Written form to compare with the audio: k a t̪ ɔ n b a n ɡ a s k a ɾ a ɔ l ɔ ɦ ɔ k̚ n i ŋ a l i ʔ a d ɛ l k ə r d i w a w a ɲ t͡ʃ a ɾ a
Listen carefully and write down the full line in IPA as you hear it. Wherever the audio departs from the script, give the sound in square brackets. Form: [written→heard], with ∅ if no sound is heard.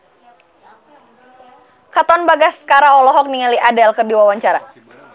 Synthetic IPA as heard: k a t̪ ɔ n b a [n→∅] ɡ a s k a ɾ a ɔ l ɔ ɦ ɔ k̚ n i ŋ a l i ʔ a d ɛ l k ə r d i w a w a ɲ t͡ʃ a ɾ a

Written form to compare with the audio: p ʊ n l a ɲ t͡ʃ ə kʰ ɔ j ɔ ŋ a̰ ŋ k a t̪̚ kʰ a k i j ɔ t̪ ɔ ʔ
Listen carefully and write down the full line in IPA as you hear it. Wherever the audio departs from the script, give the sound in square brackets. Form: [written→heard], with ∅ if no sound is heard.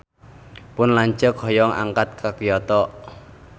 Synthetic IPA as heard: p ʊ n l a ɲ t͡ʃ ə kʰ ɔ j ɔ ŋ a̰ ŋ k a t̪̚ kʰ a k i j ɔ t̪ ɔ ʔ

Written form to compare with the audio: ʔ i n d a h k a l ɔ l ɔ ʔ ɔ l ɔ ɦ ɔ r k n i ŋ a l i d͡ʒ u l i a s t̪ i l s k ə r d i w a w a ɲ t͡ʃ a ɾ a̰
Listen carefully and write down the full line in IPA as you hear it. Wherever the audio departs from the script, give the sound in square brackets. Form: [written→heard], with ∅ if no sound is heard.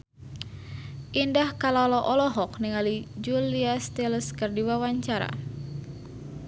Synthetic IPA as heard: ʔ i n d a h k a l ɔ l ɔ ʔ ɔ l ɔ ɦ ɔ [r→∅] k n i ŋ a l i d͡ʒ u l i a s t̪ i l s k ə r d i w a w a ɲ t͡ʃ a ɾ a̰

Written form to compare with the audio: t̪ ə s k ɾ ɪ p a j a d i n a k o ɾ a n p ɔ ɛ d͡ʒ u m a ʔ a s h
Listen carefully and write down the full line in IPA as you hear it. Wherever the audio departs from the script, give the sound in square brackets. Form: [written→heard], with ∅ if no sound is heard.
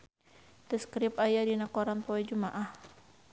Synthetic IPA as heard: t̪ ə s k ɾ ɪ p a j a d i n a k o ɾ a n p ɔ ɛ d͡ʒ u m a ʔ a [s→∅] h

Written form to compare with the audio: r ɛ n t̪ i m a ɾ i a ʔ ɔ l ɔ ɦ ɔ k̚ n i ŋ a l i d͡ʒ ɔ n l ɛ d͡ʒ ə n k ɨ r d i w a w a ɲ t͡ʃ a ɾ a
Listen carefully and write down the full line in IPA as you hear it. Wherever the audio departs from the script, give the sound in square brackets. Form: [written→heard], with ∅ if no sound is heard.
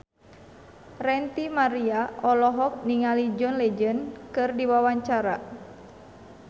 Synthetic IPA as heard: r ɛ n t̪ i m a ɾ i a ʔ ɔ l ɔ ɦ ɔ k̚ n i ŋ a l i d͡ʒ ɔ n l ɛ d͡ʒ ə n k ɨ r d i w a w a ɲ t͡ʃ a ɾ a

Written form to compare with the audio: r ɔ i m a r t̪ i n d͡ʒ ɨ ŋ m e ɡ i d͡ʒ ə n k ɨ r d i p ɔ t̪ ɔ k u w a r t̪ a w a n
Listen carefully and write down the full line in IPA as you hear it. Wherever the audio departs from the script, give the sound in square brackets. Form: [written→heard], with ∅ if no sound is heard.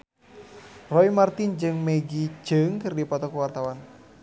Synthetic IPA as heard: r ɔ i m a r t̪ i n d͡ʒ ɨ ŋ m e ɡ i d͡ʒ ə [n→ŋ] k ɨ r d i p ɔ t̪ ɔ k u w a r t̪ a w a n

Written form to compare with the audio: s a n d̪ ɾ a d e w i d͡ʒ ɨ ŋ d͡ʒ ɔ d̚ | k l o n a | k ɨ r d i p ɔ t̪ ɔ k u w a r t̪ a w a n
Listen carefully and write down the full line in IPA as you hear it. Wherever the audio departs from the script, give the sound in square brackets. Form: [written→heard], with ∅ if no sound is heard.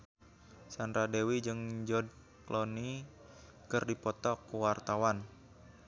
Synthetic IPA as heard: s a n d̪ ɾ a d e w i d͡ʒ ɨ ŋ d͡ʒ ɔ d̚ | k l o n [a→i] | k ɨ r d i p ɔ t̪ ɔ k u w a r t̪ a w a n

